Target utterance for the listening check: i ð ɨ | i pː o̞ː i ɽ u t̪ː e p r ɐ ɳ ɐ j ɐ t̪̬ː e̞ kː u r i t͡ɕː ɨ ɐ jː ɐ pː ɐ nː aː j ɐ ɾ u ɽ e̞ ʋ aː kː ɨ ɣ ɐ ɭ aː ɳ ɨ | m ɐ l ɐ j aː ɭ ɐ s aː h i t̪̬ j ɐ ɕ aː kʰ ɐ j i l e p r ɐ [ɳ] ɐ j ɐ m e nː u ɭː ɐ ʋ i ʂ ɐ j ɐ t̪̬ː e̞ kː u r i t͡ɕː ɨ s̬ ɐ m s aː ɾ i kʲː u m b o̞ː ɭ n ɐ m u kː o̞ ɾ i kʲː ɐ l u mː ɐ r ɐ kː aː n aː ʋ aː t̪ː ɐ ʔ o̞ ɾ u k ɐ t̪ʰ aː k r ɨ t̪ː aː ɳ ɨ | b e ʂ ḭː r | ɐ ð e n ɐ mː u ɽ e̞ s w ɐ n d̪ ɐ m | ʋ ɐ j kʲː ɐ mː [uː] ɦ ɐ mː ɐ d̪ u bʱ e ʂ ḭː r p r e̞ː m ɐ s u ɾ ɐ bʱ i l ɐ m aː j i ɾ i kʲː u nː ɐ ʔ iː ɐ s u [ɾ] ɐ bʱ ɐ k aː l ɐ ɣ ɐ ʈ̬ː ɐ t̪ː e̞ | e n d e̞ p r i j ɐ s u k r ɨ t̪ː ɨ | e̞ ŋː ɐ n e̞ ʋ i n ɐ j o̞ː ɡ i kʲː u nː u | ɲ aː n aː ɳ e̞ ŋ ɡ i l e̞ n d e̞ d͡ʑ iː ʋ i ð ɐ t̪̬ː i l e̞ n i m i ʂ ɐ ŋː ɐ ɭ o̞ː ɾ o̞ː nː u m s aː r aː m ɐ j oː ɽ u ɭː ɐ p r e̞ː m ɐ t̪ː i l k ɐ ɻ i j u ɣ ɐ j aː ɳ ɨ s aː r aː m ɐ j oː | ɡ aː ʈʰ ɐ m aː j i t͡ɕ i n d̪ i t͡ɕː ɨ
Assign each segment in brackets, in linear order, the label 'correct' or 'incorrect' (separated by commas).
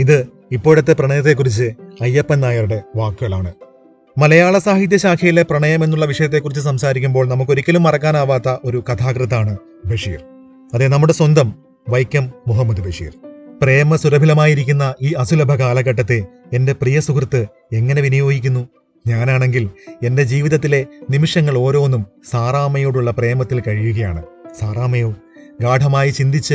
correct, incorrect, incorrect